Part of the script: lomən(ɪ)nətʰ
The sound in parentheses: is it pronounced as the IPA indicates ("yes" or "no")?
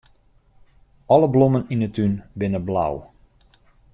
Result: no